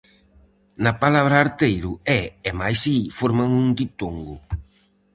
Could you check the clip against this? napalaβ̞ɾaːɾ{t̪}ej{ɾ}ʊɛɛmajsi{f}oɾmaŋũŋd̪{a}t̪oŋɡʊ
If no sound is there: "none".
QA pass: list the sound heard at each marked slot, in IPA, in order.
t̪, ɾ, f, i

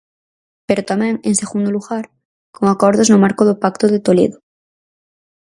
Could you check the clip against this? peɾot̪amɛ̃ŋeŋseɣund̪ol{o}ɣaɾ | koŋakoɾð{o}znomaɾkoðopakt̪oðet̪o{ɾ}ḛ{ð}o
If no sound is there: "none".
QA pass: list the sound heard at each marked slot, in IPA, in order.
u, o, l, ð

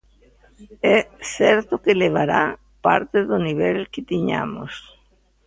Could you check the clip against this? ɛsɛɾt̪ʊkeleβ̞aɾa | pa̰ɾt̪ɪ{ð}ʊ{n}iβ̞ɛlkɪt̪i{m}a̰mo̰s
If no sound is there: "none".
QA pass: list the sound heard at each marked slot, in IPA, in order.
ð, n, ɲ

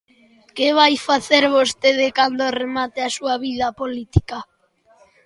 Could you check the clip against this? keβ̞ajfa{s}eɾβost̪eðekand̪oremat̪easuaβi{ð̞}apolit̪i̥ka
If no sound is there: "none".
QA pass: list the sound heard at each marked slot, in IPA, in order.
θ, ð̞

